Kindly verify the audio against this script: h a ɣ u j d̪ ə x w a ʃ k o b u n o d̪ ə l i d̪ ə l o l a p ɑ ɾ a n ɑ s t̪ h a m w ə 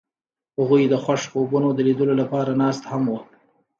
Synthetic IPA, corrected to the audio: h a ɣ u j d̪ ə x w a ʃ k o b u n o d̪ ə l i d̪ ə l o l a p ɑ ɾ a n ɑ s t̪ h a m w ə